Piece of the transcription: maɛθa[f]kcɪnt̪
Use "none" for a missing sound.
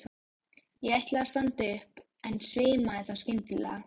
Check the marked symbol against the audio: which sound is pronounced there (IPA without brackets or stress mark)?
s